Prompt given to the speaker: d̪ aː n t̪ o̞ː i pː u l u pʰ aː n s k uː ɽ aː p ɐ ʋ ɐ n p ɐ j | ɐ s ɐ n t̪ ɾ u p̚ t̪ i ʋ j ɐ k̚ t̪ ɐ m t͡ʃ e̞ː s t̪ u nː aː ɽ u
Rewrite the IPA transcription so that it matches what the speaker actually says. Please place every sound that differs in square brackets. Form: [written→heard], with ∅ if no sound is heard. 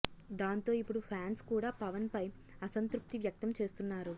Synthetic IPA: d̪ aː n t̪ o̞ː i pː u [l→ɽ] u pʰ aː n s k uː ɽ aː p ɐ ʋ ɐ n p ɐ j | ɐ s ɐ n t̪ ɾ u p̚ t̪ i ʋ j ɐ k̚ t̪ ɐ m t͡ʃ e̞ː s t̪ u nː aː [ɽ→ɾ] u